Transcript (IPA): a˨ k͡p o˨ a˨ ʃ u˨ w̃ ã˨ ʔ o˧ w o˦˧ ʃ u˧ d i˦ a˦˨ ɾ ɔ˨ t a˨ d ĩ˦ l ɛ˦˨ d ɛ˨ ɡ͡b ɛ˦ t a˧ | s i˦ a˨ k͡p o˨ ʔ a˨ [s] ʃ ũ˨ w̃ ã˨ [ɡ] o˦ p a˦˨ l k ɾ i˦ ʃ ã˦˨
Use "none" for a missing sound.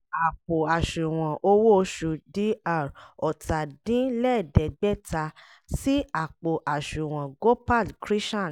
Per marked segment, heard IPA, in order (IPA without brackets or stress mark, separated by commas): none, ɡ